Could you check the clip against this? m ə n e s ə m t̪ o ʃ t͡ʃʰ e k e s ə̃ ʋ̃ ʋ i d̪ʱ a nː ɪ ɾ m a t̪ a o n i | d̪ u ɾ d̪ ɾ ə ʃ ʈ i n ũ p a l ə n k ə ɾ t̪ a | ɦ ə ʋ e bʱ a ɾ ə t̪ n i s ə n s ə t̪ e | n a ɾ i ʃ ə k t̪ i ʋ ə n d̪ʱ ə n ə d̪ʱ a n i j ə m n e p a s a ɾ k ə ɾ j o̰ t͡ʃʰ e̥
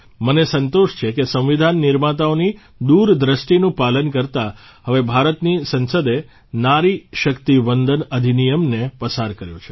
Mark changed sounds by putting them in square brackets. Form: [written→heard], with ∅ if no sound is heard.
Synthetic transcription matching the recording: m ə n e s ə [m→n] t̪ o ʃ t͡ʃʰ e k e s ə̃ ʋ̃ ʋ i d̪ʱ a nː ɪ ɾ m a t̪ a o n i | d̪ u ɾ d̪ ɾ ə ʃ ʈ i n ũ p a l ə n k ə ɾ t̪ a | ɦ ə ʋ e bʱ a ɾ ə t̪ n i s ə n s ə [t̪→d̪] e | n a ɾ i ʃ ə k t̪ i ʋ ə n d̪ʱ ə n ə d̪ʱ [a→i] n i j ə m n e p [a→ə] s a ɾ k ə ɾ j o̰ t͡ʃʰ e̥